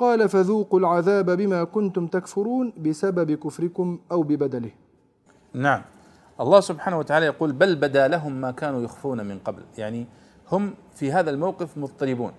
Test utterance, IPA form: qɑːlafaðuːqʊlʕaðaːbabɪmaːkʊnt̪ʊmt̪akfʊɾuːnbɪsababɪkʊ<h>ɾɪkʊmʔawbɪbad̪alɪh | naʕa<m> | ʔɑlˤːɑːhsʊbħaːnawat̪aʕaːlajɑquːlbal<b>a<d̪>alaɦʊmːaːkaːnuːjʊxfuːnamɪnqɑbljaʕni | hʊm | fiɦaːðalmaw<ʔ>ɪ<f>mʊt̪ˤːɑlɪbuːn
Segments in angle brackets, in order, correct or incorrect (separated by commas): incorrect, correct, correct, correct, incorrect, correct